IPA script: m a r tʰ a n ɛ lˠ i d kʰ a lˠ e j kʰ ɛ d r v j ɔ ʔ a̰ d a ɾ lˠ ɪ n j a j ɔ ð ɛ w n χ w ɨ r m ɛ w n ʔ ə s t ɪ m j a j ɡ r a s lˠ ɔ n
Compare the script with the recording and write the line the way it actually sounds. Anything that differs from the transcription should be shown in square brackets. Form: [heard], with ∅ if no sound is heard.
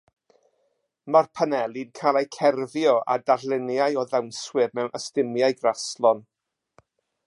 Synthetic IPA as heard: m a r [pʰ] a n ɛ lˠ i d kʰ a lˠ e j kʰ ɛ [∅] r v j ɔ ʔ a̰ d a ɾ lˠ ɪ n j a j ɔ ð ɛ w n [s] w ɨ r m ɛ w n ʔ ə s t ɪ m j a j ɡ r a s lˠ ɔ n